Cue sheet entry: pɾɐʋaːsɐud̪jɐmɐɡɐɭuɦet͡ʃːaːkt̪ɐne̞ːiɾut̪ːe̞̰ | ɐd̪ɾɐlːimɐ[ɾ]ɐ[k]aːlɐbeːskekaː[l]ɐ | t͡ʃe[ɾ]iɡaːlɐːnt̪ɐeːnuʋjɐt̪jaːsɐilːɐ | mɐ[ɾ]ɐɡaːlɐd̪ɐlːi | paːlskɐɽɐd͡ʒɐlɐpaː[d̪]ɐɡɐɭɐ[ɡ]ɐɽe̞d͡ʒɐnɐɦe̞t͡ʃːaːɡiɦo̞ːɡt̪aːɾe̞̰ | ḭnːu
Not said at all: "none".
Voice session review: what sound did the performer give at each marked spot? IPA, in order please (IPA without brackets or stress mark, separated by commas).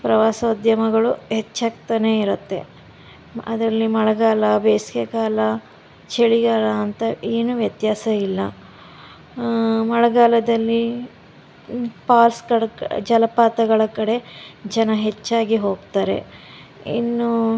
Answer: ɭ, ɡ, l, ɭ, ɭ, t̪, k